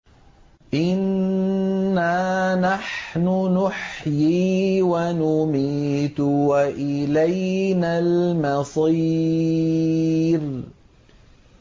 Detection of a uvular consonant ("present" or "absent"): absent